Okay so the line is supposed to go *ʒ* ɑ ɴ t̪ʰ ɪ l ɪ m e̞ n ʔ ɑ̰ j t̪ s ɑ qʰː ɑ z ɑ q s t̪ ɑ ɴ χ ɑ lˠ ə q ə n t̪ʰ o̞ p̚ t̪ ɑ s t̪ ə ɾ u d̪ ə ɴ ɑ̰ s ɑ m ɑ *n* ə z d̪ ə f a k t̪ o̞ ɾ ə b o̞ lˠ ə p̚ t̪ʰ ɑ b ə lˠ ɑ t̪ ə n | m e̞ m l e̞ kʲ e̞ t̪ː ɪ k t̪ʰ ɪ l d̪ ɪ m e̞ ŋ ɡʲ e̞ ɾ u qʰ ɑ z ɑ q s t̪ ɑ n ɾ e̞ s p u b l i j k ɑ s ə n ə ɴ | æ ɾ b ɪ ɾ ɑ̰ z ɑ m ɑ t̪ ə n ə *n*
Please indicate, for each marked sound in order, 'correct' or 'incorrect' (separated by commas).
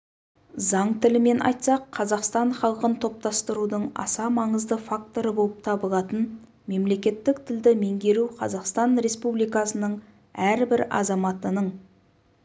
incorrect, incorrect, incorrect